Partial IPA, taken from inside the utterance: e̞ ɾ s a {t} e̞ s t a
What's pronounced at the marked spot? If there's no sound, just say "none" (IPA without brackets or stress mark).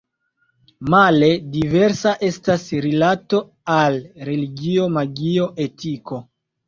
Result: ʔ